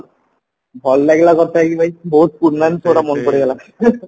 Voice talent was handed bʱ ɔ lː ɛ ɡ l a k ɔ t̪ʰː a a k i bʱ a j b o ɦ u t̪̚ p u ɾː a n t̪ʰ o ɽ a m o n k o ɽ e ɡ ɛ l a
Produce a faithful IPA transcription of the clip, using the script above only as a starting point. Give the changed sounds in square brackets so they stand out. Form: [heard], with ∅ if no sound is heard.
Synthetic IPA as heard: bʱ ɔ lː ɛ ɡ l a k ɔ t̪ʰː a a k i bʱ a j b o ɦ u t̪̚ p u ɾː a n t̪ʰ o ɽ a m o n k o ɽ e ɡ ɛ l a